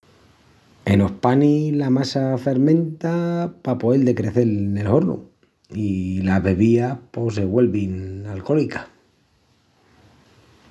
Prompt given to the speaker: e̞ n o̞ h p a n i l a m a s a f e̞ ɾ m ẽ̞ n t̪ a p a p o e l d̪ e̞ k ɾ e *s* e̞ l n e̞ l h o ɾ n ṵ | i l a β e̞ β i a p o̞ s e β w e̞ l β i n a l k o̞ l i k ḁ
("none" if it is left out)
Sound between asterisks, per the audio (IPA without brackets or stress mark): θ